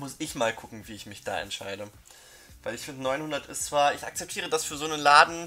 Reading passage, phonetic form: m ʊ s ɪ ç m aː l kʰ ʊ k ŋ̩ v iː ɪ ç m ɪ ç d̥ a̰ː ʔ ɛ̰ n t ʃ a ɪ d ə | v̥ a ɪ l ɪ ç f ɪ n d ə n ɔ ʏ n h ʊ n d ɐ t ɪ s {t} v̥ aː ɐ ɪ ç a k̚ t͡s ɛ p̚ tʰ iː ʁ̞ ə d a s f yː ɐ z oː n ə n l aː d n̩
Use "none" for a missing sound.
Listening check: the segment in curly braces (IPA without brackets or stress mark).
t͡s